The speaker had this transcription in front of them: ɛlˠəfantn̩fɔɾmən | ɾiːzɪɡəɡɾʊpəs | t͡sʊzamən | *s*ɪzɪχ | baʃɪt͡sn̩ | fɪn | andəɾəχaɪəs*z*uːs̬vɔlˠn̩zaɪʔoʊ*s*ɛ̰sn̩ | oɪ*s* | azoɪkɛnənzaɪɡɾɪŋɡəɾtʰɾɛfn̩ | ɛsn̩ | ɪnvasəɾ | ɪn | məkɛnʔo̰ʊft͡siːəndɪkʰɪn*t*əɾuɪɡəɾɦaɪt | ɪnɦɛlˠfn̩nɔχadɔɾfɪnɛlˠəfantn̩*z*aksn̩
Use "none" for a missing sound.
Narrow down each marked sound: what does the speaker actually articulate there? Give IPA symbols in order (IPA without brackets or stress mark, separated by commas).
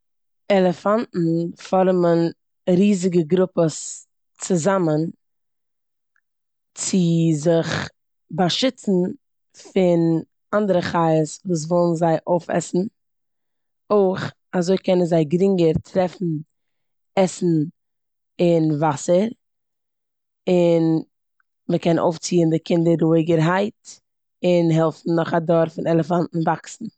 t͡s, v, f, χ, d, v